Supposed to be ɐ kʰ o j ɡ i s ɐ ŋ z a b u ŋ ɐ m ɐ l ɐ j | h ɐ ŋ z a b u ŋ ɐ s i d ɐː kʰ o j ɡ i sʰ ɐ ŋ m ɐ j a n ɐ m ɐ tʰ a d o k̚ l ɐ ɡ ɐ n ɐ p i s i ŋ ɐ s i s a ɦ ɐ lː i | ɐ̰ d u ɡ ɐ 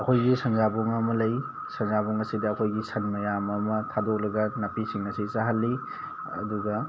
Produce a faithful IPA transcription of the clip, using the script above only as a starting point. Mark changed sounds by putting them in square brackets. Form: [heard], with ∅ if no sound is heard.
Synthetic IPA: ɐ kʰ o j ɡ i s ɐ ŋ z a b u ŋ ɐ m ɐ l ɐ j | [s] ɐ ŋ z a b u ŋ ɐ s i d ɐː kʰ o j ɡ i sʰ ɐ [n] m ɐ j a [m] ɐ m ɐ tʰ a d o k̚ l ɐ ɡ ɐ n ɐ p i s i ŋ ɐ s i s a ɦ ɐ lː i | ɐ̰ d u ɡ ɐ